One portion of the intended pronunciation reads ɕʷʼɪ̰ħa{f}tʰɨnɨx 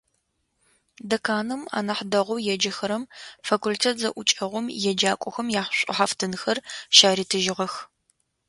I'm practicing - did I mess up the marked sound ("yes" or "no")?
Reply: no